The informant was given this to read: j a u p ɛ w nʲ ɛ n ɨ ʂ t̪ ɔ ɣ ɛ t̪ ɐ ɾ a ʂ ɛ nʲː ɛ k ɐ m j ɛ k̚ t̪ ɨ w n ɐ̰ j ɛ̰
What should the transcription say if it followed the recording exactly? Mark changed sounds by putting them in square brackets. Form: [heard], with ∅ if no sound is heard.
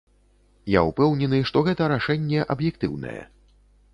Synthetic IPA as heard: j a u p ɛ w nʲ ɛ n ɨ ʂ t̪ ɔ ɣ ɛ t̪ ɐ ɾ a ʂ ɛ nʲː ɛ [ʔ] ɐ [b] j ɛ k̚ t̪ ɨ w n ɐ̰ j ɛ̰